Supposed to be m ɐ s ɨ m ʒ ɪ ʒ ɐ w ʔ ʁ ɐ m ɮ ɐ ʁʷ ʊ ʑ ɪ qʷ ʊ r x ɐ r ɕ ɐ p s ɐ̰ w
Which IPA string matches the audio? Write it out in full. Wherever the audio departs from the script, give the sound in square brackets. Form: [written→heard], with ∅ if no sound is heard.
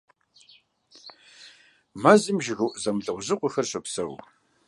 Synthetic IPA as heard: m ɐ [s→z] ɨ m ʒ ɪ [ʒ→ɣ] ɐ w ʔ [ʁ→z] ɐ m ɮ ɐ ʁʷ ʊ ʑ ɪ qʷ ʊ [r→∅] x ɐ r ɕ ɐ p s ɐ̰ w